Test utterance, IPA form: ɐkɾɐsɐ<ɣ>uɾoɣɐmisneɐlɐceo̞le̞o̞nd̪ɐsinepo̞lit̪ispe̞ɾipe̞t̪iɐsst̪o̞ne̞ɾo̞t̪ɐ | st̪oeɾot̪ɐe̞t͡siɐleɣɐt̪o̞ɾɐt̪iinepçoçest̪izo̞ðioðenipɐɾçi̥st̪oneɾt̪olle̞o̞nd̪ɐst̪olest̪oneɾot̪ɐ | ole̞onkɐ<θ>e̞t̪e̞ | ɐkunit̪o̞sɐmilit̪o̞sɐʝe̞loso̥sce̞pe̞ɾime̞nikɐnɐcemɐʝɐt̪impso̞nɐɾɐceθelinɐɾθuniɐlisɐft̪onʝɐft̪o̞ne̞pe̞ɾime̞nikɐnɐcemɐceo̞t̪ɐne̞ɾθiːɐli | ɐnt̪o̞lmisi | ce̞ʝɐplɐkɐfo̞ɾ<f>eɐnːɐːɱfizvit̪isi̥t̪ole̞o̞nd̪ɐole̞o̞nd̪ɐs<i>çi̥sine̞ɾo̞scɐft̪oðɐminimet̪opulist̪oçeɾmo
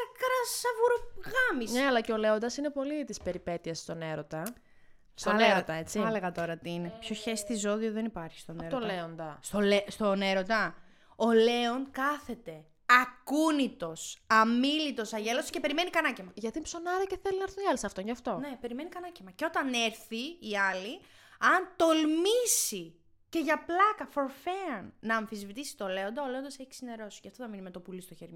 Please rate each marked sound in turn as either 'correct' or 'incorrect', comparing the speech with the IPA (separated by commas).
incorrect, correct, correct, incorrect